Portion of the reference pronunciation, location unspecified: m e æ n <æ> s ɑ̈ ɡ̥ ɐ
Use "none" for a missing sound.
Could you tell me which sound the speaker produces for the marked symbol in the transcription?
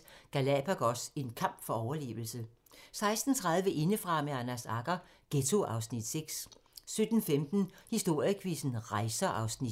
æ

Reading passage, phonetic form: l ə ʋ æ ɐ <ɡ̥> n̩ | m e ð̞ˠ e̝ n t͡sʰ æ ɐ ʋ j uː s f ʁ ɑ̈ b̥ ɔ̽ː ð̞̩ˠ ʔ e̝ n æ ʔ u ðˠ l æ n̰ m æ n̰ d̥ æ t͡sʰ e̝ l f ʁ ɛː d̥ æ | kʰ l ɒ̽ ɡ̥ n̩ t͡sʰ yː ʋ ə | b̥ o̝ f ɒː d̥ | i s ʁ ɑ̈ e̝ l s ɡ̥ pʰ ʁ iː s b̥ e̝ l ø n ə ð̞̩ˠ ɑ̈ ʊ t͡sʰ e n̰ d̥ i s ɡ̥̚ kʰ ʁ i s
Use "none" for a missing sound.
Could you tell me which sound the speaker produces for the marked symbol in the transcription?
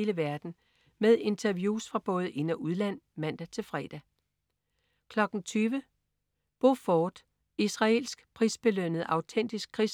d̥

